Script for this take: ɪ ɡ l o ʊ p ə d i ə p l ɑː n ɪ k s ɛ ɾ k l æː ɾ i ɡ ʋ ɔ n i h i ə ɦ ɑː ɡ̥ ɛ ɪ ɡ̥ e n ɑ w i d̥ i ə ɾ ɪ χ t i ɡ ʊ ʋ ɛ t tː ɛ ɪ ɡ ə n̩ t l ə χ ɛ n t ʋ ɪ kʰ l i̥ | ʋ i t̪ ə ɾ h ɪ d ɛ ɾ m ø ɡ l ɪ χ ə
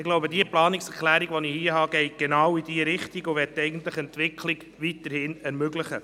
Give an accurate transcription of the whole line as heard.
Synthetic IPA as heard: ɪ ɡ l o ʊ b ə d i ə p l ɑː n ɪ k s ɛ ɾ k l æː ɾ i ɡ ʋ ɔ n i h i ə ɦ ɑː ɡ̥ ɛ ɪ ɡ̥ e n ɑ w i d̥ i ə ɾ ɪ χ t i ɡ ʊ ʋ ɛ t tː ɛ ɪ ɡ ə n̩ t l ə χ ɛ n t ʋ ɪ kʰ l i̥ | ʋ i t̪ ə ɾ h ɪ n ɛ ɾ m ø ɡ l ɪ χ ə